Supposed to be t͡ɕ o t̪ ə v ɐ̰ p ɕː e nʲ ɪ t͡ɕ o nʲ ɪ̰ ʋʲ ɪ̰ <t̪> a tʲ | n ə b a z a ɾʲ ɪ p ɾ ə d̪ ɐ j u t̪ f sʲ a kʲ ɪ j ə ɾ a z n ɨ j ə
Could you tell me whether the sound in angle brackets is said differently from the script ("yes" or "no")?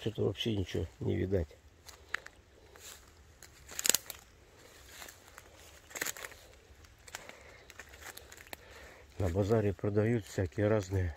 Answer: yes